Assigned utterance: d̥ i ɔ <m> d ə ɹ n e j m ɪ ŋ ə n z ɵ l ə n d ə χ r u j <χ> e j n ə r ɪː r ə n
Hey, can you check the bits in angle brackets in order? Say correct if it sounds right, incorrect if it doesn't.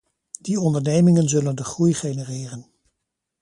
incorrect: n, correct

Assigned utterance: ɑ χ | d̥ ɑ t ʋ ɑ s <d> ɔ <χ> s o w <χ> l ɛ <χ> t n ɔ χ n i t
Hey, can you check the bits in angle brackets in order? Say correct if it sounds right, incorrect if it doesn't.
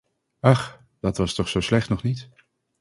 incorrect: t, correct, incorrect: s, correct

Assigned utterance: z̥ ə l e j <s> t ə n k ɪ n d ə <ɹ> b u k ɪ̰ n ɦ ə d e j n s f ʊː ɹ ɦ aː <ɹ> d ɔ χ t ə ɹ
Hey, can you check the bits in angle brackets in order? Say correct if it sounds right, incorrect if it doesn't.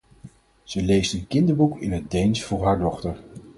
correct, correct, correct

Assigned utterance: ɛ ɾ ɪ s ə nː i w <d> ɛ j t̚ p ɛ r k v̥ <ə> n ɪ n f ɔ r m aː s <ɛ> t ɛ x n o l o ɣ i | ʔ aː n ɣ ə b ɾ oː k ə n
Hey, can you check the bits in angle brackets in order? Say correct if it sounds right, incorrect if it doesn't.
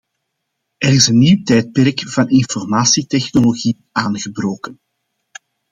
incorrect: t, incorrect: ɑ, incorrect: i

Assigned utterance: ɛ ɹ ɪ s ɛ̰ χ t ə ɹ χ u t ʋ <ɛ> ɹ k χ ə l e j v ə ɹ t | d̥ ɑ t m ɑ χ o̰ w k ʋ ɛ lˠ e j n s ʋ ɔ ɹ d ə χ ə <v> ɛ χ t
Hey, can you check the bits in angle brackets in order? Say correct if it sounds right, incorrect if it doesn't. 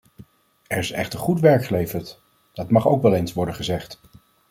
correct, incorrect: z

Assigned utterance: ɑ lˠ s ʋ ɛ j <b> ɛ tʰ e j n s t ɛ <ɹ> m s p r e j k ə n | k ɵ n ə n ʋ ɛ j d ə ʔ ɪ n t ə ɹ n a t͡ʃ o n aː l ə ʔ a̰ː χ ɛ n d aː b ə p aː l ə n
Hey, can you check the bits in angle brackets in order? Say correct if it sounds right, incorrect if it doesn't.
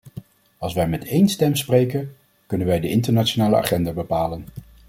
incorrect: m, incorrect: none

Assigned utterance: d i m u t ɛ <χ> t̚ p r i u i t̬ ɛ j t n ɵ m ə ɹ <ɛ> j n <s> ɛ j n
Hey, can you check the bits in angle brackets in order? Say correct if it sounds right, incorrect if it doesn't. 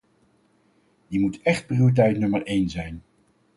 correct, incorrect: e, incorrect: z

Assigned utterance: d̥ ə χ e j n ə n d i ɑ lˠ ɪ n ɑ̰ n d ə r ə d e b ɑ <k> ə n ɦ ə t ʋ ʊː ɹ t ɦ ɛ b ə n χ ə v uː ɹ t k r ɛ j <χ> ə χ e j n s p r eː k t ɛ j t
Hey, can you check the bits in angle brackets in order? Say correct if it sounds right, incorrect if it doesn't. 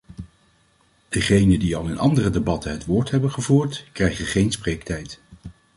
incorrect: t, correct

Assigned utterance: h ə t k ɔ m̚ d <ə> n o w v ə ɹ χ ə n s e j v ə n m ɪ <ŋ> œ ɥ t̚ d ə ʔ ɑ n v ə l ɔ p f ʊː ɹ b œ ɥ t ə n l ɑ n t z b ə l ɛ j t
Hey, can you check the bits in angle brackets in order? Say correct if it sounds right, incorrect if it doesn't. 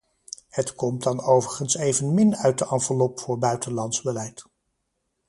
incorrect: ɑ, incorrect: n

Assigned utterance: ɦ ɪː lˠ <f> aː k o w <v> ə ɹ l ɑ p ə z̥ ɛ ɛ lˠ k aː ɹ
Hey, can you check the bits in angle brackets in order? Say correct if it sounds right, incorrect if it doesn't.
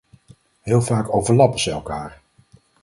incorrect: v, correct

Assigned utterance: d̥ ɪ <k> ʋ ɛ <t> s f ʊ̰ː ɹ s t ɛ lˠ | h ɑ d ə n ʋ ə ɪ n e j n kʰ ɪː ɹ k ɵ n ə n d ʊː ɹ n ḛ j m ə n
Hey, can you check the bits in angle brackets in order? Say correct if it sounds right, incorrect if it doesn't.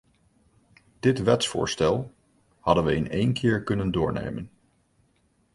incorrect: t, correct

